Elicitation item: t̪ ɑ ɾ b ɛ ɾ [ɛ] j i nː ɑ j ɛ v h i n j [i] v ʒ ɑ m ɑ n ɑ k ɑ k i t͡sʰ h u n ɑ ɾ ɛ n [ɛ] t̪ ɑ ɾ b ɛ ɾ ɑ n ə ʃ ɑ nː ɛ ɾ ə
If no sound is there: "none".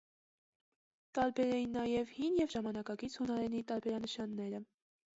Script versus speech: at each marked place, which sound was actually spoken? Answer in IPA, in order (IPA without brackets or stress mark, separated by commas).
ɛ, ɛ, i